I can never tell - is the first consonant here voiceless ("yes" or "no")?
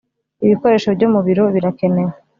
no